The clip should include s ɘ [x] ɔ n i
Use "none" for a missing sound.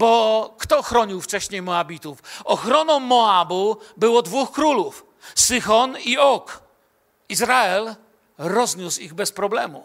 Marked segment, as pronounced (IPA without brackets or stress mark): x